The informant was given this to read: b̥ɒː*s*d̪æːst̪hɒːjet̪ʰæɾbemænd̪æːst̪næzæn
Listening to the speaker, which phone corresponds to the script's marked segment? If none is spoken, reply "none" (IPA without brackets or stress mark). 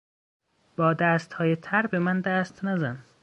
none